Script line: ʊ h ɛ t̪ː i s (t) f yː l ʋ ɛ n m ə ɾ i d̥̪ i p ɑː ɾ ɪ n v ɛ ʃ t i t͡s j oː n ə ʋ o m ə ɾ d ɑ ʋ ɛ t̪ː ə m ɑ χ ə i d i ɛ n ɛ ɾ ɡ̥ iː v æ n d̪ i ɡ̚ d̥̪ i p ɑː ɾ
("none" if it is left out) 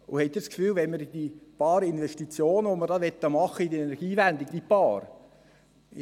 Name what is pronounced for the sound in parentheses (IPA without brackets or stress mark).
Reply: k